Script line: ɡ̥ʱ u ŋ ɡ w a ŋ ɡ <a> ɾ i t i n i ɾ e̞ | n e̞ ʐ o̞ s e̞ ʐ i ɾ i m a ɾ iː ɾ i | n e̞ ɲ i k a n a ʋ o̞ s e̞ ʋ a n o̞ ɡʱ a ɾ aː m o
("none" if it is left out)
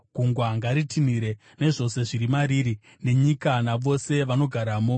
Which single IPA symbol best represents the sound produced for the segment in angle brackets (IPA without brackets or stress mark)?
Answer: a